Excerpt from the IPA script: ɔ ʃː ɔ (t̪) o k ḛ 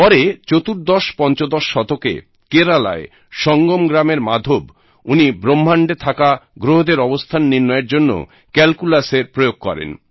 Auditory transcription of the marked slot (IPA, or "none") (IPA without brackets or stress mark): t̪